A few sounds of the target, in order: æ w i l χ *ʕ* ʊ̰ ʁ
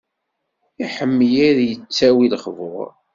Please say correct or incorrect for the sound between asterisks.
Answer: incorrect: v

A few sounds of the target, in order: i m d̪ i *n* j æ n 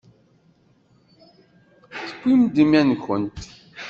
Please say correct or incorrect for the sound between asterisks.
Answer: incorrect: m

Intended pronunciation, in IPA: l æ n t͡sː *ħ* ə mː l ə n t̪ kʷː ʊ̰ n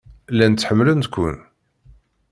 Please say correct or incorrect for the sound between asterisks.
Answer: correct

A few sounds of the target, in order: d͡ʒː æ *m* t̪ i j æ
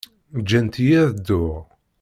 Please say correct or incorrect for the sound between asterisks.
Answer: incorrect: n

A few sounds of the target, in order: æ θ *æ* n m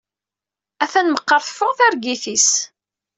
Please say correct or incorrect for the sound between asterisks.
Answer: correct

